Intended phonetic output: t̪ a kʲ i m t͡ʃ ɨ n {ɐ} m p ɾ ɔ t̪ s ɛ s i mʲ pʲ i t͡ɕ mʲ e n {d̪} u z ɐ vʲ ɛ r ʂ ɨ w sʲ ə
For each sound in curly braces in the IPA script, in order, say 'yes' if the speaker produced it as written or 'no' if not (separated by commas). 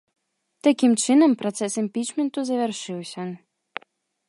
no, no